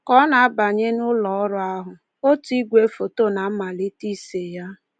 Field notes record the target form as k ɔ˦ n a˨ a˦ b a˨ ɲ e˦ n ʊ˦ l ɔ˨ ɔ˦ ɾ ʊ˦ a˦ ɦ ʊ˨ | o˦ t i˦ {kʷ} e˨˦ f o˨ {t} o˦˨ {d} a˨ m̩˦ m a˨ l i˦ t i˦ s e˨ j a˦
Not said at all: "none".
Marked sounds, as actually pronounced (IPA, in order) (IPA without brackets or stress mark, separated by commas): ɡʷ, t, n